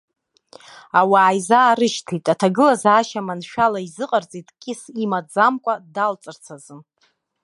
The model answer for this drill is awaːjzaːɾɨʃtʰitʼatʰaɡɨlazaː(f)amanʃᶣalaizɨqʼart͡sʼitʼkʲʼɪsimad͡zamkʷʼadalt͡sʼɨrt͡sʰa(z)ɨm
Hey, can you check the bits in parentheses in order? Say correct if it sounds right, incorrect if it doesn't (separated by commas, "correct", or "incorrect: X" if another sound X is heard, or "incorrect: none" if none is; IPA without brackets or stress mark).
incorrect: ʃ, correct